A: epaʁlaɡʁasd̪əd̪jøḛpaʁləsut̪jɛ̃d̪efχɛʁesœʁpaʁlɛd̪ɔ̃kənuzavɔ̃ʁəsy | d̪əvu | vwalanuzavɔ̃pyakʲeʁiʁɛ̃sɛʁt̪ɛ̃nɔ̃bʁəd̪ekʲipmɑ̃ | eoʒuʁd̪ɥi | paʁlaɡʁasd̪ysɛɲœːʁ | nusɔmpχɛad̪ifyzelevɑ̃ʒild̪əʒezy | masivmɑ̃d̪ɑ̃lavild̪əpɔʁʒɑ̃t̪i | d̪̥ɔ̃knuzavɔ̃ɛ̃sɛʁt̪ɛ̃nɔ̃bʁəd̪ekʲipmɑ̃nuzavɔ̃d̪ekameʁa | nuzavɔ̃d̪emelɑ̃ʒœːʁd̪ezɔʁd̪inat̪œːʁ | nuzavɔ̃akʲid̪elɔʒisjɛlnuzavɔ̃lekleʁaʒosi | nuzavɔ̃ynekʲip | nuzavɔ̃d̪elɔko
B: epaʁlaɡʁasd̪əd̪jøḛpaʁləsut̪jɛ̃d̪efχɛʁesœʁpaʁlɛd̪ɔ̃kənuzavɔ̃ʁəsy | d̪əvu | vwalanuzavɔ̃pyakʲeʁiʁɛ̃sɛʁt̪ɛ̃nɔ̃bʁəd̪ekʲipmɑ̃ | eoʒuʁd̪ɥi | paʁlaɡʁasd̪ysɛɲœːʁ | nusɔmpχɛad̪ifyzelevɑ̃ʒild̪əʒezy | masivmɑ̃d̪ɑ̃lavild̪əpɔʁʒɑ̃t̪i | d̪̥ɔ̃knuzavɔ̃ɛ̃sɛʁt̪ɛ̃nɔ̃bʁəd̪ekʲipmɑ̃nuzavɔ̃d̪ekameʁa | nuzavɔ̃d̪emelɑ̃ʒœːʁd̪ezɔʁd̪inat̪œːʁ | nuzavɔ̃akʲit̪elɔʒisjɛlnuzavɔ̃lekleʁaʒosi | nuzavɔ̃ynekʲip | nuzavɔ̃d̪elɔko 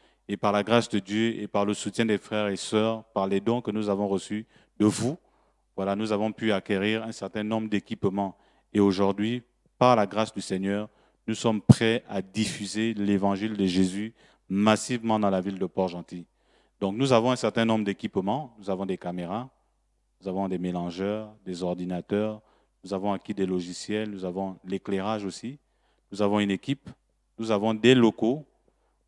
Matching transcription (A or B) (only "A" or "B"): A